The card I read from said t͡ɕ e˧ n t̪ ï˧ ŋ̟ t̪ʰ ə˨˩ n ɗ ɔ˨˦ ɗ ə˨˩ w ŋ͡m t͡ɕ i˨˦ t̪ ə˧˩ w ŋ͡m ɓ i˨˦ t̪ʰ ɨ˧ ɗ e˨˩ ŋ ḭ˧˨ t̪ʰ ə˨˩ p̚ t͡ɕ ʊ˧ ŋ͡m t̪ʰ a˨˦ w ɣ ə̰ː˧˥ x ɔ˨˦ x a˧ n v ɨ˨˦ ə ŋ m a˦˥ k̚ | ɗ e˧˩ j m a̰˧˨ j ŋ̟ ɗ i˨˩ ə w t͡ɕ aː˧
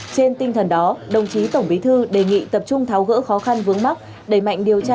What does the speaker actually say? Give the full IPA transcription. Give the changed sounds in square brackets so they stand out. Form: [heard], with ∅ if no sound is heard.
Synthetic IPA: t͡ɕ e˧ n t̪ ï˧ ŋ̟ t̪ʰ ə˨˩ n ɗ ɔ˨˦ ɗ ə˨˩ w ŋ͡m t͡ɕ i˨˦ t̪ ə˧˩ w ŋ͡m ɓ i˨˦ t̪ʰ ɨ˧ ɗ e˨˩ ŋ ḭ˧˨ [t̪] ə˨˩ p̚ t͡ɕ ʊ˧ ŋ͡m t̪ʰ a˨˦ w ɣ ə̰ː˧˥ x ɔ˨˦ x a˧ n v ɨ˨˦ ə ŋ m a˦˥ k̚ | ɗ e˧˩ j m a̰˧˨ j ŋ̟ ɗ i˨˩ ə w t͡ɕ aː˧